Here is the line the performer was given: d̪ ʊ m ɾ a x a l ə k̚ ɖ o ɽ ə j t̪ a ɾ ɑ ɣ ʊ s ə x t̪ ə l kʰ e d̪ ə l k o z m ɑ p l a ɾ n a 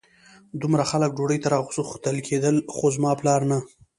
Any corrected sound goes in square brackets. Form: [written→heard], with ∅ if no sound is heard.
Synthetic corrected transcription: d̪ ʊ m ɾ a x a l ə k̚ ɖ o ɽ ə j t̪ a ɾ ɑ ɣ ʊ s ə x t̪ ə l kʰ e d̪ ə l [k→x] o z m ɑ p l [a→ɑ] ɾ n a